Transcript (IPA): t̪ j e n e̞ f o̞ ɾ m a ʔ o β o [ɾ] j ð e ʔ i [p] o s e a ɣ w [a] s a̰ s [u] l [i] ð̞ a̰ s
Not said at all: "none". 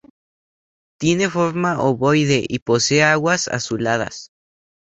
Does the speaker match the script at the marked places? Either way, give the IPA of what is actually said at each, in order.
none, p, a, u, a

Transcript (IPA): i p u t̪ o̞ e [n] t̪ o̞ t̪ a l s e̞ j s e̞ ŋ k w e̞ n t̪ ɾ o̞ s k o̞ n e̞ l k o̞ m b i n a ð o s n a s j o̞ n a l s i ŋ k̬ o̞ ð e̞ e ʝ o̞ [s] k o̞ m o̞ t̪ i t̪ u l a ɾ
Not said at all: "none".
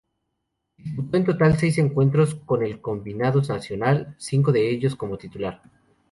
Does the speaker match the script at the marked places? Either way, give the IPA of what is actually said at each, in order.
n, s

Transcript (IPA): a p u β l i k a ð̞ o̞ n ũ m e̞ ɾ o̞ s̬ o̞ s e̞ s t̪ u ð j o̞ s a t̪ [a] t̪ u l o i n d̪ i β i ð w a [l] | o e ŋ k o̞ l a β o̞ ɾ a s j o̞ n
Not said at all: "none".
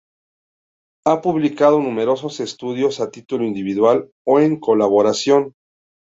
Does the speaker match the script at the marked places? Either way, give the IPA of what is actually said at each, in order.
i, l

